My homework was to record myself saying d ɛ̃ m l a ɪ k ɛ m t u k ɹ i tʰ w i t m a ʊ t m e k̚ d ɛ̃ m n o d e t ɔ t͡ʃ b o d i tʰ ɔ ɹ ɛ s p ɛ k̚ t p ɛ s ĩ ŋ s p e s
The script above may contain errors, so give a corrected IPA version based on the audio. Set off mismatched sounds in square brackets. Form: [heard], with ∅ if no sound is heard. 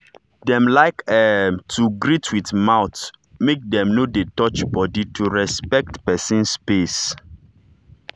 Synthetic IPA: d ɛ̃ m l a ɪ k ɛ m t u [ɡ] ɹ i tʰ w i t m a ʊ t m e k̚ d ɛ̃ m n o d e t ɔ t͡ʃ b [ɔ] d i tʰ [u] ɹ ɛ s p ɛ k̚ t p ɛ s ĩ [n] s p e s